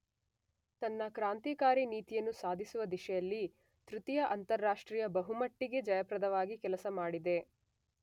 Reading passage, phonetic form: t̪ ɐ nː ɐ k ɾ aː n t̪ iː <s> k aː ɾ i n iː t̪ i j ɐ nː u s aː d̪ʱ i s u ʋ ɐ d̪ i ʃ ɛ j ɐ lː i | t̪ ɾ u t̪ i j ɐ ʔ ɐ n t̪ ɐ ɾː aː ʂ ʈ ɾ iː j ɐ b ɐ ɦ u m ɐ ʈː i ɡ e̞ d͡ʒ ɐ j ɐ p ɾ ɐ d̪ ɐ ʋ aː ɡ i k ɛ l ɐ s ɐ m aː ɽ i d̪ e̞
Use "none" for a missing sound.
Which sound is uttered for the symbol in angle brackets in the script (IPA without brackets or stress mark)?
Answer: none